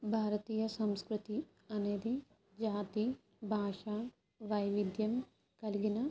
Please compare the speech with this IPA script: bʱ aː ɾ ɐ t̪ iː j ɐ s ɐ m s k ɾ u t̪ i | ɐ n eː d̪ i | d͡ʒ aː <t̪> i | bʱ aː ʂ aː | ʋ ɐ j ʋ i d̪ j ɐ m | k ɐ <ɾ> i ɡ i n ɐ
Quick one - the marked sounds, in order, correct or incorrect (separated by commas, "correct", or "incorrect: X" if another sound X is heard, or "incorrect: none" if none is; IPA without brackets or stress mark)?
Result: correct, incorrect: l